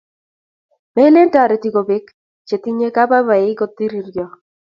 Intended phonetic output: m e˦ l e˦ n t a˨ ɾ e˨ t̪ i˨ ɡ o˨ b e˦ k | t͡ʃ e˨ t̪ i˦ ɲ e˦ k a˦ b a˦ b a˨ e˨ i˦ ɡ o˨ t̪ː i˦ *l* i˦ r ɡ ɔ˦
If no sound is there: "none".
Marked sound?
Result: ɾ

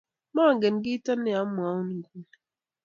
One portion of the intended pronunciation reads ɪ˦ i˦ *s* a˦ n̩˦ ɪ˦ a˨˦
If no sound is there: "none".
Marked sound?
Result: t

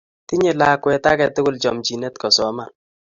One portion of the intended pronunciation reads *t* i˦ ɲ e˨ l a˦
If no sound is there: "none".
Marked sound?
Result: t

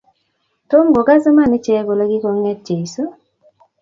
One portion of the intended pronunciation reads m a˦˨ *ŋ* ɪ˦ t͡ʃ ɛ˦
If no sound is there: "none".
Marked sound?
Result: n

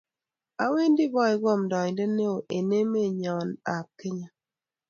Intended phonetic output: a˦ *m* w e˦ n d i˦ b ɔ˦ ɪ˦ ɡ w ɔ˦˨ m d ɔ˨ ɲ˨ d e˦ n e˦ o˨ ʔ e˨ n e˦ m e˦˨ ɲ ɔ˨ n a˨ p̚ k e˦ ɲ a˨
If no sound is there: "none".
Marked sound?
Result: none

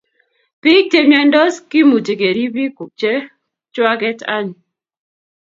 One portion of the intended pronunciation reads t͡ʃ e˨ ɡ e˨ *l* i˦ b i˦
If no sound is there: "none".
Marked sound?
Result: ɾ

